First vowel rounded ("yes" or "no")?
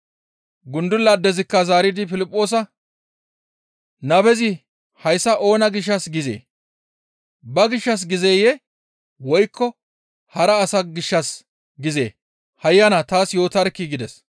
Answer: yes